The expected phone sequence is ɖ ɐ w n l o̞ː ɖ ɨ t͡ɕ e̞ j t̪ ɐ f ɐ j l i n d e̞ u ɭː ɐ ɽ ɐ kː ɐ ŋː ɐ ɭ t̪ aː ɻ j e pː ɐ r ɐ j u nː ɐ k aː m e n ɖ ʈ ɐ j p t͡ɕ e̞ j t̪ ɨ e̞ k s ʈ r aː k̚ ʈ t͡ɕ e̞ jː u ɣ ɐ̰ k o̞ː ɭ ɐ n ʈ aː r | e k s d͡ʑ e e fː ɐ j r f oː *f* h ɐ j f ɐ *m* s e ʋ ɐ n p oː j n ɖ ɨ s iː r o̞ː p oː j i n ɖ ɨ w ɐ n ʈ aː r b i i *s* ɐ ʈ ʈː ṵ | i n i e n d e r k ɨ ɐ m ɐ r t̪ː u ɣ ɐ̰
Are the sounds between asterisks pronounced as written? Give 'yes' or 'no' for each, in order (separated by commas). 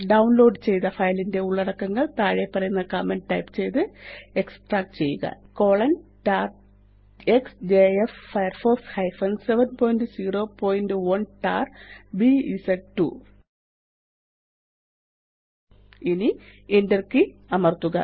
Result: no, no, yes